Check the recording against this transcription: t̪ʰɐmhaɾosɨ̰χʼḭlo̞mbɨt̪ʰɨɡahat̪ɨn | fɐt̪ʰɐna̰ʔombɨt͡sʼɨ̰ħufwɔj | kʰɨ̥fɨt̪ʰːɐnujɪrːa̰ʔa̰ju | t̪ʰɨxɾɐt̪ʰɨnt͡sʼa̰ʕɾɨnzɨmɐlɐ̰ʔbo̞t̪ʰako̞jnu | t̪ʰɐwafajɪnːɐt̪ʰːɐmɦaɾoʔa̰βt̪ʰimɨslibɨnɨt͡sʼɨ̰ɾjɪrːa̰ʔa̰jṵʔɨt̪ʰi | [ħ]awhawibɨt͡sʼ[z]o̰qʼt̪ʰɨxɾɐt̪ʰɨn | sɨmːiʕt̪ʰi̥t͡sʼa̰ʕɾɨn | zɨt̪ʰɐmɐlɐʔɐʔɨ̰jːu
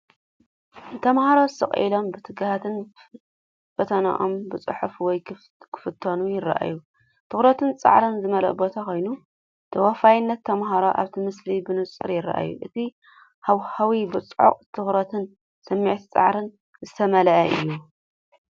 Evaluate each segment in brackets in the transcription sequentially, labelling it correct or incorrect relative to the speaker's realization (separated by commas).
incorrect, incorrect